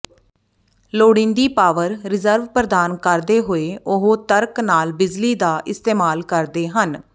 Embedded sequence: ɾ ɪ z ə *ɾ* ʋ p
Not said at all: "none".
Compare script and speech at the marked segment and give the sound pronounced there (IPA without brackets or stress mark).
ɾ